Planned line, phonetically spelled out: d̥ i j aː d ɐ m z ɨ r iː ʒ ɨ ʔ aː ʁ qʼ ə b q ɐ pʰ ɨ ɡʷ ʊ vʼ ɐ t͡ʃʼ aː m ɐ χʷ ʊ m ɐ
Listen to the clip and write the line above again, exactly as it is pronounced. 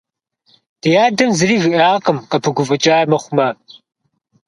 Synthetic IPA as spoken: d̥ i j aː d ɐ m z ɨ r iː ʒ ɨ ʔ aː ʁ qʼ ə m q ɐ pʰ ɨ ɡʷ ʊ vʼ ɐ t͡ʃʼ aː m ɐ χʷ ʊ m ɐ